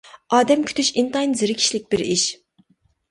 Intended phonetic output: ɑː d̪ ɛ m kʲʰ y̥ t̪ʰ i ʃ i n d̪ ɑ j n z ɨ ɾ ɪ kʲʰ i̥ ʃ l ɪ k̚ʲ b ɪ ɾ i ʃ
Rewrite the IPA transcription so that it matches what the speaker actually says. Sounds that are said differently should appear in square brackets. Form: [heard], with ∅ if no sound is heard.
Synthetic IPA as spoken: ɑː d̪ ɛ m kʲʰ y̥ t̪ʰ [y] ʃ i n [t̪] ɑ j n z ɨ ɾ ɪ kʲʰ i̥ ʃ l ɪ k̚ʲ b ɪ ɾ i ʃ